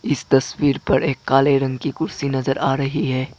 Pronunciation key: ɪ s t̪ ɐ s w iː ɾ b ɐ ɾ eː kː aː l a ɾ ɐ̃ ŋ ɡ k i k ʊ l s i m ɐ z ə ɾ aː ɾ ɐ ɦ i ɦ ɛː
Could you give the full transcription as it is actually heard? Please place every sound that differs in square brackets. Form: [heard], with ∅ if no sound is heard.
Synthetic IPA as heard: ɪ s t̪ ɐ s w iː ɾ [p] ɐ ɾ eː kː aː l [e] ɾ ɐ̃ ŋ ɡ k i k ʊ [ɾ] s i [n] ɐ z ə ɾ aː ɾ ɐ ɦ i ɦ ɛː